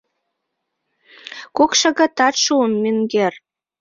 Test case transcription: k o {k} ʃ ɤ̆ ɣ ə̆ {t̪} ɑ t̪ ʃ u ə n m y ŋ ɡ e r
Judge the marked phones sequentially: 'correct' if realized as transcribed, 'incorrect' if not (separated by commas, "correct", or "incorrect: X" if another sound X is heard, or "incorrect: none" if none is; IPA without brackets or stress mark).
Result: correct, correct